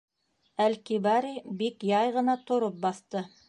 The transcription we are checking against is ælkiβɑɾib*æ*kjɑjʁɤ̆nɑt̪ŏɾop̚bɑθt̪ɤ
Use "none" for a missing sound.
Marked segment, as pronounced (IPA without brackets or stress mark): i